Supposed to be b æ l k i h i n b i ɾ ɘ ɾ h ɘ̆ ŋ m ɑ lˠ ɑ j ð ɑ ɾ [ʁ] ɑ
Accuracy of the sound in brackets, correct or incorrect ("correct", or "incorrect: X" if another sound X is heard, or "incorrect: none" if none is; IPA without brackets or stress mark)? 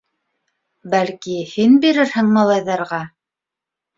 correct